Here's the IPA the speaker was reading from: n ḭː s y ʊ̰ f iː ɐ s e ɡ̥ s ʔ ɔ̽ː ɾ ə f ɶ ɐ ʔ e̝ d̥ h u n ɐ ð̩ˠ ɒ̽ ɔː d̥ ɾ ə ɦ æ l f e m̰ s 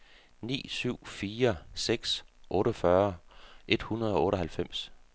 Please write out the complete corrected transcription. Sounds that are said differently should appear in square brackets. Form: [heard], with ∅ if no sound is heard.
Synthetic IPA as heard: n ḭː s y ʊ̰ f iː ɐ s e ɡ̥ s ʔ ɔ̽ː ɾ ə f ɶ ɐ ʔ e̝ d̥ h u n ɐ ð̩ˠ ɒ̽ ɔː [∅] ɾ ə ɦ æ l f e m̰ s